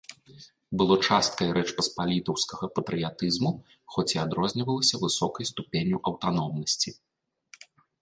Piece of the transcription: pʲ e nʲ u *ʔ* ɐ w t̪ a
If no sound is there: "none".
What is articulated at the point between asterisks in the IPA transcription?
ʔ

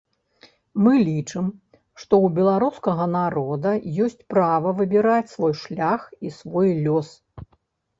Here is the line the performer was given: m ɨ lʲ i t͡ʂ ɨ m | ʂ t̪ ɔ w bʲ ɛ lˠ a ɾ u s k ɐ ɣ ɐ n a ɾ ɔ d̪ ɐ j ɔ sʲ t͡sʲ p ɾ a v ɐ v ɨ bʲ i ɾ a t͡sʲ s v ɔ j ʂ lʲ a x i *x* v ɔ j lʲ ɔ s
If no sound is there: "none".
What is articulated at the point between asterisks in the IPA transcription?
s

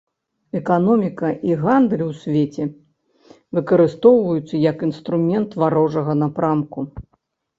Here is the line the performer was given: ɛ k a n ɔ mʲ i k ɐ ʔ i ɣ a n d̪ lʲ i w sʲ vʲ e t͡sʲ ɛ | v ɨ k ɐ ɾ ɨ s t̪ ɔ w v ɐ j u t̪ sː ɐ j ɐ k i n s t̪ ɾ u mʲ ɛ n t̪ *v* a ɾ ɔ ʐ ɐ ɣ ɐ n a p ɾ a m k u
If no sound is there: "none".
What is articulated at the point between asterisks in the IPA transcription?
v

